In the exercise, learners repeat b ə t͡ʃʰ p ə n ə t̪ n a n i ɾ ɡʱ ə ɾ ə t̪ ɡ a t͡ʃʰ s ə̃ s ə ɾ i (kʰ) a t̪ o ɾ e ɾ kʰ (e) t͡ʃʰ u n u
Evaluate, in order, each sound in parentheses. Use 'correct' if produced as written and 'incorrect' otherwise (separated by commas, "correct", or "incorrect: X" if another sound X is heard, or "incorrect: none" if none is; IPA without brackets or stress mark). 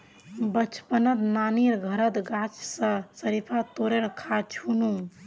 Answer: incorrect: pʰ, incorrect: a